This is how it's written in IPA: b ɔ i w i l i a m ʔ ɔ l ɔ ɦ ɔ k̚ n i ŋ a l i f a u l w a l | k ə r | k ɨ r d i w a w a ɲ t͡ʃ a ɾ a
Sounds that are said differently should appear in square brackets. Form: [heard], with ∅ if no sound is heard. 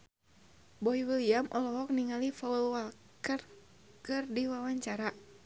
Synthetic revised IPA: b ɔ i w i l i a m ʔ ɔ l ɔ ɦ ɔ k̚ n i ŋ a l i f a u l w a l | k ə r | k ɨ r d i w a w a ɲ t͡ʃ a ɾ a

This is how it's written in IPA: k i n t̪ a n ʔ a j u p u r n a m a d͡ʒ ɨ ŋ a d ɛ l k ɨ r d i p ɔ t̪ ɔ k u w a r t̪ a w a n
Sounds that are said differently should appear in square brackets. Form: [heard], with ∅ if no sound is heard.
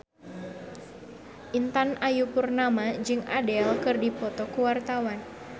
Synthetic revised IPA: [ʔ] i n t̪ a n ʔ a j u p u r n a m a d͡ʒ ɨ ŋ a d ɛ l k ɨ r d i p ɔ t̪ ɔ k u w a r t̪ a w a n

